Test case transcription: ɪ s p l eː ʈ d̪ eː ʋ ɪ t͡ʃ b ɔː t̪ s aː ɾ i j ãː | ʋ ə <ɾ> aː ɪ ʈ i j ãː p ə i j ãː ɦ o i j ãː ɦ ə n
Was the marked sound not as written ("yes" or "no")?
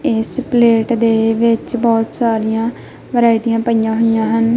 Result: no